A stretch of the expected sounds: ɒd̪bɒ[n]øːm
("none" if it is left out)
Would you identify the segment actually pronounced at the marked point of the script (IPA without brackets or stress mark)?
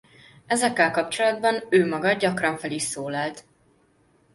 n